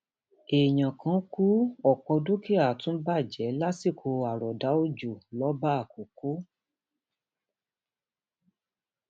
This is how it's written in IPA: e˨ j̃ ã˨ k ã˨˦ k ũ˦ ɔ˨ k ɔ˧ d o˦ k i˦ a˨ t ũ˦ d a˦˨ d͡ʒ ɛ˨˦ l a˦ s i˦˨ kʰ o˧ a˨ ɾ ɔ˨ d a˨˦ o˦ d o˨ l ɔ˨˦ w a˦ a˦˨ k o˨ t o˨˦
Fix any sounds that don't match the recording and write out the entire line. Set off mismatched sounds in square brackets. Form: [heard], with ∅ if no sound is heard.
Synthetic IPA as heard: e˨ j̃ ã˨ k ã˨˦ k [u˦] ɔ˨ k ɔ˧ d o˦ k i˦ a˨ t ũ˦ [b] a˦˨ d͡ʒ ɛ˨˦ l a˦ s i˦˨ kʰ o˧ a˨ ɾ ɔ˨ d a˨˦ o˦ [d͡ʒ] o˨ l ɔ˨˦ [b] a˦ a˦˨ k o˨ [k] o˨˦